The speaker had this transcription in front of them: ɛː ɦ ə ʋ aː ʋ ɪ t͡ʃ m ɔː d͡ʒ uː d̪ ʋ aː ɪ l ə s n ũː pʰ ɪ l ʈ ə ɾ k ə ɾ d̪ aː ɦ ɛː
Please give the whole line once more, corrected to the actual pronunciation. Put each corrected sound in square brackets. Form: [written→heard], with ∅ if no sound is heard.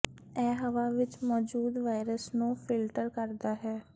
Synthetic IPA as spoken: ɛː ɦ ə ʋ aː ʋ ɪ t͡ʃ m ɔː d͡ʒ uː d̪ ʋ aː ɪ [l→ɾ] ə s n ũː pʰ ɪ l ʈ ə ɾ k ə ɾ d̪ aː ɦ ɛː